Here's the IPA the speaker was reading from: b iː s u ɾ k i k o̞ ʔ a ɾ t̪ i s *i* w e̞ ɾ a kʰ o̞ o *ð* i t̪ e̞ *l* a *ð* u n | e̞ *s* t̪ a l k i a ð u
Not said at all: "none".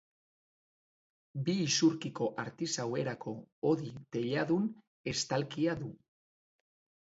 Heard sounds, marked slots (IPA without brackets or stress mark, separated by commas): a, ð, ʎ, ð, s